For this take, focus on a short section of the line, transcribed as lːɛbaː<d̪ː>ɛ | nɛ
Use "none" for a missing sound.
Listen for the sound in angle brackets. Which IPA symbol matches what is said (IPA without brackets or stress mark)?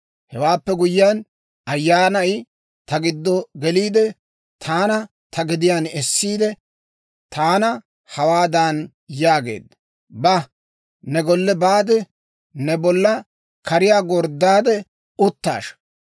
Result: d̪